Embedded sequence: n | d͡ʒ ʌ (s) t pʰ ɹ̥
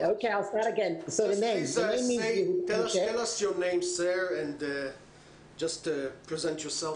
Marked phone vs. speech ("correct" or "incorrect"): correct